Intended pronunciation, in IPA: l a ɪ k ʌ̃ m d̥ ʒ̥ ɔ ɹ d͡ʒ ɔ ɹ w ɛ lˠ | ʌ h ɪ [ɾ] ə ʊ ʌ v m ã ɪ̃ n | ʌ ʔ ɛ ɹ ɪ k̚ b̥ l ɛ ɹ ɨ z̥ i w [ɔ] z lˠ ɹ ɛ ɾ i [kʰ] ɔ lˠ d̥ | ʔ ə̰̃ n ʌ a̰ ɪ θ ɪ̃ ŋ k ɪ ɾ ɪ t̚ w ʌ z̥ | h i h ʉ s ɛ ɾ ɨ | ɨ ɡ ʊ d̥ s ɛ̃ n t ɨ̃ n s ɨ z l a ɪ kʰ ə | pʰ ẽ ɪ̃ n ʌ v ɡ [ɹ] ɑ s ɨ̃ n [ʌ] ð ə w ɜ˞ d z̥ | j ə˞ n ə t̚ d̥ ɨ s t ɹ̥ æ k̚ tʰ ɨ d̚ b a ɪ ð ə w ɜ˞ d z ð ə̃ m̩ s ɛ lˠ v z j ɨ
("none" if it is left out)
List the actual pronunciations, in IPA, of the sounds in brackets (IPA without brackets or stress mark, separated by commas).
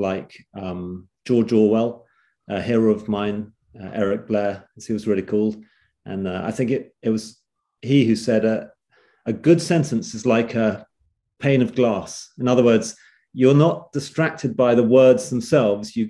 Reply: ɹ, ʌ, kʰ, l, ʌ